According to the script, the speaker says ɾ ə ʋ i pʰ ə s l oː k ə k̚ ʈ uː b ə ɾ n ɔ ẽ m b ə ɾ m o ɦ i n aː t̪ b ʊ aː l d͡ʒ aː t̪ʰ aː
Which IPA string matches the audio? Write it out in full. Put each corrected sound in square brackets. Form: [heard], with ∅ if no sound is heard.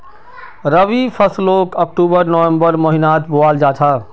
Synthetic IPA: ɾ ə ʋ i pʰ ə s l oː k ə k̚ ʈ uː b ə ɾ n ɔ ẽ m b ə ɾ m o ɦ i n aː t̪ b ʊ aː l d͡ʒ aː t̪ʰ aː